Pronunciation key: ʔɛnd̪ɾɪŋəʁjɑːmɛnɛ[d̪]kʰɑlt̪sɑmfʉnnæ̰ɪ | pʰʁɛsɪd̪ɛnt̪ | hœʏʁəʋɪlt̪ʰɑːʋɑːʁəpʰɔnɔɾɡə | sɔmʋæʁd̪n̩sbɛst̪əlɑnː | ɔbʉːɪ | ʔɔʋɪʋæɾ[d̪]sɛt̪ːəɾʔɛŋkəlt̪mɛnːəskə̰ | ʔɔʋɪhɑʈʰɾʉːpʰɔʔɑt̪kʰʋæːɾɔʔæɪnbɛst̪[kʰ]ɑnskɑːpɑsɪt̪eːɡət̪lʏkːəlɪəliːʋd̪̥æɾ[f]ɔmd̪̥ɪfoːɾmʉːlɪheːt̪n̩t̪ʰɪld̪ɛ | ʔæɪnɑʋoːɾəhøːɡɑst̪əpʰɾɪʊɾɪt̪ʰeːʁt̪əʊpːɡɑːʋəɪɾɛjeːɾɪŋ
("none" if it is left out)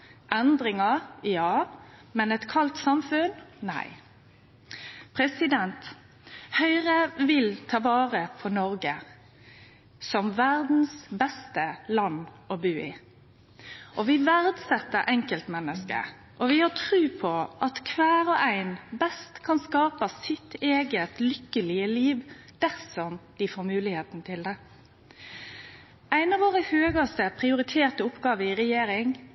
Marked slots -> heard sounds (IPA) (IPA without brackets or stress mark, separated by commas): t̪, d̪, kʰ, s